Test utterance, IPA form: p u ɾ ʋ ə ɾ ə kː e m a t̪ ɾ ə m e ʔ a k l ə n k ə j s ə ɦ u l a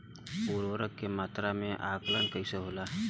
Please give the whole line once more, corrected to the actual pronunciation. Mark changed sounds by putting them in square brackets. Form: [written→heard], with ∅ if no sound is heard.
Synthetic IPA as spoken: p u ɾ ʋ ə ɾ ə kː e m a t̪ ɾ [ə→a] m e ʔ a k l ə n k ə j s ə ɦ [u→o] l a